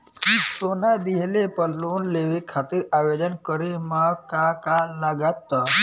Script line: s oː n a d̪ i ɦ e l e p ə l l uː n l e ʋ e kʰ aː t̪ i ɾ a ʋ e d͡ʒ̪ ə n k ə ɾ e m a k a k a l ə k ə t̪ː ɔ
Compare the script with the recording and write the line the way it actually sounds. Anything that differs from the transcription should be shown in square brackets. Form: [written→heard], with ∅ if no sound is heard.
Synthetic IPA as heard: s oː n a d̪ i ɦ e l e p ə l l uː n l e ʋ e kʰ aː t̪ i ɾ a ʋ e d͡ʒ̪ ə n k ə ɾ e m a k a k a l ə [k→ɡ] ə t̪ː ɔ